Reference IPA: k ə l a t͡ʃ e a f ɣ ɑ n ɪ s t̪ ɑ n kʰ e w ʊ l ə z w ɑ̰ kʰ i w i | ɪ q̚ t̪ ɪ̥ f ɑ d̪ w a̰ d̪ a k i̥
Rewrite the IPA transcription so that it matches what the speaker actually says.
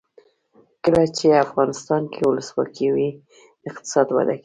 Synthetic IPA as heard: k ə l a t͡ʃ e a f ɣ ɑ n ɪ s t̪ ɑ n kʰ e w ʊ l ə s w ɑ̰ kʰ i w i | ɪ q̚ t̪ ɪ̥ s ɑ d̪ w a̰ d̪ a k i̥